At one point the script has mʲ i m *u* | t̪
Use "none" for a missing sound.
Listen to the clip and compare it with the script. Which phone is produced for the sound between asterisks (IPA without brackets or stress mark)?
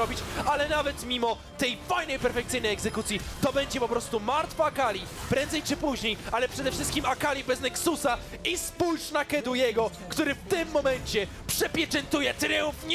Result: ɔ